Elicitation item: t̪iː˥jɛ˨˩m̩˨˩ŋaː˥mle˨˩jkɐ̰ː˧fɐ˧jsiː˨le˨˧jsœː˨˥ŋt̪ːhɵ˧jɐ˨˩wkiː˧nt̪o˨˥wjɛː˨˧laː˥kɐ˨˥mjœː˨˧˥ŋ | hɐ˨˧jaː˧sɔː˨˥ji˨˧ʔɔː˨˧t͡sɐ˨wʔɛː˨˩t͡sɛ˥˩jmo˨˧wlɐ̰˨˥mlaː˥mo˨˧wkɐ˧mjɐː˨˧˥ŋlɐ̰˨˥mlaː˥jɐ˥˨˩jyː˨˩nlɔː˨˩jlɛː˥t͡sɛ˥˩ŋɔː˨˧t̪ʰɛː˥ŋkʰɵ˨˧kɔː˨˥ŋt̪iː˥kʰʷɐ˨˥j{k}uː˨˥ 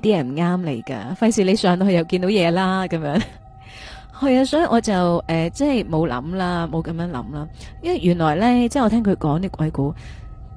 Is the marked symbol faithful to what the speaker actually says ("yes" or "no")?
yes